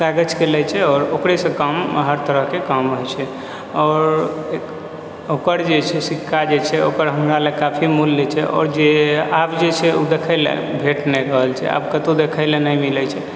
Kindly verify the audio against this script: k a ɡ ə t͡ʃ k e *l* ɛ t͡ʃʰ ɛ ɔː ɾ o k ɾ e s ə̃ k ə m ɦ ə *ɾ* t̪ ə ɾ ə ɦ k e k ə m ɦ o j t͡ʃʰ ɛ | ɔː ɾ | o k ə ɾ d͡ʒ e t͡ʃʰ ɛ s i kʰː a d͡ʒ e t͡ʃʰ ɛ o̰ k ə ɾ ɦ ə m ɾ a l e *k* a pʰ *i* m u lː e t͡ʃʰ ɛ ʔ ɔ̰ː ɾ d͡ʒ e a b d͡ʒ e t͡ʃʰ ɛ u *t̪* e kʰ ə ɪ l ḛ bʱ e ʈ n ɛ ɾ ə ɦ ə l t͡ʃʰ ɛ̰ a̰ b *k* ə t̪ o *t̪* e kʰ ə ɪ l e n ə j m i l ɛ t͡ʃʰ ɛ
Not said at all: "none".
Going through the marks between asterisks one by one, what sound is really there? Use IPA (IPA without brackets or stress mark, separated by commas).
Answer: l, ɾ, k, i, d̪, k, d̪